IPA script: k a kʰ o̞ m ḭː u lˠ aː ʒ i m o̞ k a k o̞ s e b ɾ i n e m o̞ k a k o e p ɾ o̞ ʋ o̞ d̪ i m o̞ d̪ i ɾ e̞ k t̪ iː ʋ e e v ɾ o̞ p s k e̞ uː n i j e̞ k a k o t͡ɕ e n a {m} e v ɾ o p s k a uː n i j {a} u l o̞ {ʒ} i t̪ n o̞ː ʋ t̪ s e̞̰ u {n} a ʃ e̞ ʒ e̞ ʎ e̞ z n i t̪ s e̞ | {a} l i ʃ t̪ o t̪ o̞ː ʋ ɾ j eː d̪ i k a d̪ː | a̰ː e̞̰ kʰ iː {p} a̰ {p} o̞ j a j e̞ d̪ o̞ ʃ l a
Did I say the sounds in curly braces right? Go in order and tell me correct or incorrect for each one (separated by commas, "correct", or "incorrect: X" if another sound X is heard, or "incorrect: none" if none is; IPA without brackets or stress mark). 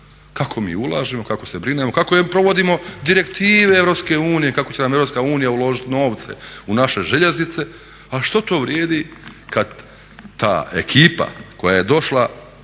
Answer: correct, correct, correct, correct, correct, correct, incorrect: k